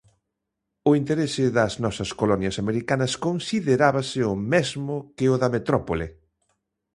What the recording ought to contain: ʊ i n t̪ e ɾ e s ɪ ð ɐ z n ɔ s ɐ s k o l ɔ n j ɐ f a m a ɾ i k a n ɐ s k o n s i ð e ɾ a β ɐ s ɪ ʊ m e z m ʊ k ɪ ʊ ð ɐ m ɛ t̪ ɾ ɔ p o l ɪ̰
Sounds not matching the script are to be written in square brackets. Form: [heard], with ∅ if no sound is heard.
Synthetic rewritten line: ʊ i n t̪ e ɾ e s ɪ ð ɐ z n ɔ s ɐ s k o l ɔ n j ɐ [s] a m [e] ɾ i k a n ɐ s k o n s i ð e ɾ a β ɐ s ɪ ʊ m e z m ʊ k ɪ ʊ ð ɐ m [e] t̪ ɾ ɔ p o l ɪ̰